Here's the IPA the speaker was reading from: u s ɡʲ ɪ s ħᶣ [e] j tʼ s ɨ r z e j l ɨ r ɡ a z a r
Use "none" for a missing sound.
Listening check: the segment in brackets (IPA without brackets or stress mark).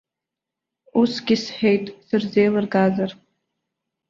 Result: e